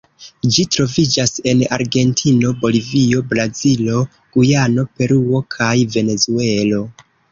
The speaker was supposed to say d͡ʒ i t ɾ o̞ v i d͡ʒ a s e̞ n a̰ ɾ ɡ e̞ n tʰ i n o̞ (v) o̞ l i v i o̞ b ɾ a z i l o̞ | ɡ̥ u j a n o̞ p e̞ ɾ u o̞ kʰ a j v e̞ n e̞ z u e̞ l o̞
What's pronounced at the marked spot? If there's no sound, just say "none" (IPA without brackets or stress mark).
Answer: b